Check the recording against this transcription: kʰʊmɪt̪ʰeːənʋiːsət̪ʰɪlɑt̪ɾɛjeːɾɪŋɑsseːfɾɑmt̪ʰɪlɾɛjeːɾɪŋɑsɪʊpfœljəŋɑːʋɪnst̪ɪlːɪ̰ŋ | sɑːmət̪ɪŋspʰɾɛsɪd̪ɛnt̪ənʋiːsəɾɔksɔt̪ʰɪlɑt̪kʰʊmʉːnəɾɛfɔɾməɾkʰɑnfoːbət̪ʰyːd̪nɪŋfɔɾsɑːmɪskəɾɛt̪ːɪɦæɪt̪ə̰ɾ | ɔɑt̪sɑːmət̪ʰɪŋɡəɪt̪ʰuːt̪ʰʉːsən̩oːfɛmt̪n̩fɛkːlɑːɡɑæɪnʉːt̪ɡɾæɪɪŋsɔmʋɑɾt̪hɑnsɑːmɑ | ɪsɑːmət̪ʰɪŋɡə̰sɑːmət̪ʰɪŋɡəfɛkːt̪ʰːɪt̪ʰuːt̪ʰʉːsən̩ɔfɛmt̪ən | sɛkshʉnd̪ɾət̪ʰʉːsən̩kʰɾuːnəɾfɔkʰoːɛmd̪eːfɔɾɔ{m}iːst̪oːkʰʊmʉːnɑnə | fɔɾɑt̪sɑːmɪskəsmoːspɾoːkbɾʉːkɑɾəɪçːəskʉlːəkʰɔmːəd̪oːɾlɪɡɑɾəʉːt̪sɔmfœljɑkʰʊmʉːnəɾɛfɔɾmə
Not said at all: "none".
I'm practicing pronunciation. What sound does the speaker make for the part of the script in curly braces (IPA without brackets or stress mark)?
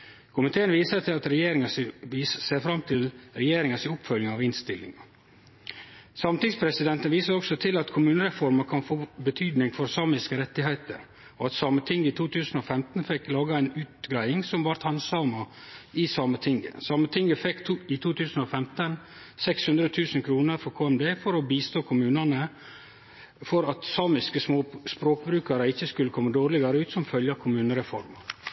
b